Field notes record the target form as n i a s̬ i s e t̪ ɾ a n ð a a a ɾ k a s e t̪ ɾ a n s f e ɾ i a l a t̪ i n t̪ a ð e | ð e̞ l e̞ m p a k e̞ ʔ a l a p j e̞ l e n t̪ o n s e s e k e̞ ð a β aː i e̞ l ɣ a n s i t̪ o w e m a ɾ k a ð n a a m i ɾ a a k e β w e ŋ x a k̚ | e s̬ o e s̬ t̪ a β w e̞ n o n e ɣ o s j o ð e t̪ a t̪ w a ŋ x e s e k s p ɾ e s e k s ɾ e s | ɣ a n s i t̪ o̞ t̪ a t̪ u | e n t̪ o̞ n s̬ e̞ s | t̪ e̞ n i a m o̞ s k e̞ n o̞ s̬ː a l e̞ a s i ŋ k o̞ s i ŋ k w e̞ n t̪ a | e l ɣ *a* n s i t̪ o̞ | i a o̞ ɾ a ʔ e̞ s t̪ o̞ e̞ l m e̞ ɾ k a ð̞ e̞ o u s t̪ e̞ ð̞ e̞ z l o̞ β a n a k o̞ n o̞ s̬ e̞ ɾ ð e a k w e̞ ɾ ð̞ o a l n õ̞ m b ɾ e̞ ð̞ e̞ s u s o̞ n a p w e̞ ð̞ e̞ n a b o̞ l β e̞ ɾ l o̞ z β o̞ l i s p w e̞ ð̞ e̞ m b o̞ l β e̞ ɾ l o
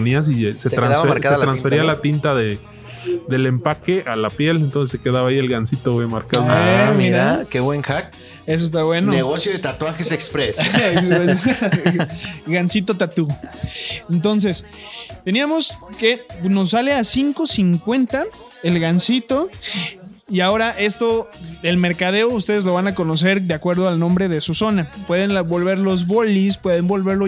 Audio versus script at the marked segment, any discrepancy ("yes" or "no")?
no